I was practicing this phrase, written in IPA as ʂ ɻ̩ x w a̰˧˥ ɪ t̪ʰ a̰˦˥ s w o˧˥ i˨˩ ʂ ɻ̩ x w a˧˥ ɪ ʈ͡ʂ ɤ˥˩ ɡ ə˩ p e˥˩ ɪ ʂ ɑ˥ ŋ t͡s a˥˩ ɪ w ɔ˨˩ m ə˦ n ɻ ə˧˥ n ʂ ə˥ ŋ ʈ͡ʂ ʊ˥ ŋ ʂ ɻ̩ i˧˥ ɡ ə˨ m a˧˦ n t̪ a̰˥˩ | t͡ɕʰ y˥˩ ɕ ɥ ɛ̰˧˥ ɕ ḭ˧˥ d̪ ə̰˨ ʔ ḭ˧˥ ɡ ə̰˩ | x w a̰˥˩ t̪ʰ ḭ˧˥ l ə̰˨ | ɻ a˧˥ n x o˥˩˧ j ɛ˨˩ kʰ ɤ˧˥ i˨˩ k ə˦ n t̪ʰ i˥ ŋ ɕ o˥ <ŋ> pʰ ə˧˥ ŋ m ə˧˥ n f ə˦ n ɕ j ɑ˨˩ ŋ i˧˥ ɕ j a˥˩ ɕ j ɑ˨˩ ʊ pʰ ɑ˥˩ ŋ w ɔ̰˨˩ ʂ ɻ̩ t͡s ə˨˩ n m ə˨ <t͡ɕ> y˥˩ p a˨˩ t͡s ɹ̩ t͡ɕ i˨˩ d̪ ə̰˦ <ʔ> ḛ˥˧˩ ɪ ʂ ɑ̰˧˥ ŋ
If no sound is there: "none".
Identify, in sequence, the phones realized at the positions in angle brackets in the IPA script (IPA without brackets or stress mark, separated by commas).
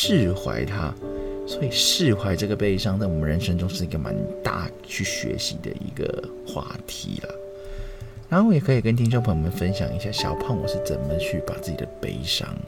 ŋ, t͡ɕʰ, p